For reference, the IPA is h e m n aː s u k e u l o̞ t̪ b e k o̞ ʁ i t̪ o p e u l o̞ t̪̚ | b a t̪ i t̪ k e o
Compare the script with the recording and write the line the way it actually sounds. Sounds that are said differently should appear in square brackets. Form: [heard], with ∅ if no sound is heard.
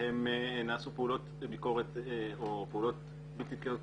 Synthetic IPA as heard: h e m n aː s u [p] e u l o̞ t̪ b [i] k o̞ ʁ [e] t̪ o p e u l o̞ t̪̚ | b [i] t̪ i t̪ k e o